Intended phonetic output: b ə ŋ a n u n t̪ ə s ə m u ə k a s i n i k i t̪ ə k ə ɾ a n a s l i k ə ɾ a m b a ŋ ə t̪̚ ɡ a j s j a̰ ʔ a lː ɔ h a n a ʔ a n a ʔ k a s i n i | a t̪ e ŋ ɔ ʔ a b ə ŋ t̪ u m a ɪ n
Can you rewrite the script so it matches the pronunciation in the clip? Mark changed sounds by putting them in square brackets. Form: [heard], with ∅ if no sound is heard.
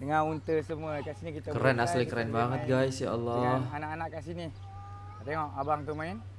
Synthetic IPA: [d] ə ŋ a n u n t̪ ə s ə m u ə k a s i n i k i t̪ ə k ə ɾ a n a s l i k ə ɾ a [n] b a ŋ ə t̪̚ ɡ a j s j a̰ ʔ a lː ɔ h a n a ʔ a n a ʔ k a s i n i | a t̪ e ŋ ɔ ʔ a b [a] ŋ t̪ u m a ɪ n